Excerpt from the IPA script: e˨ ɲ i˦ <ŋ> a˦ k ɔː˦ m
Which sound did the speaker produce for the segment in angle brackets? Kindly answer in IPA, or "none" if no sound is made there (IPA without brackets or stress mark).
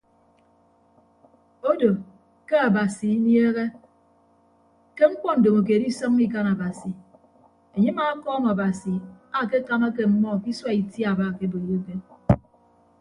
m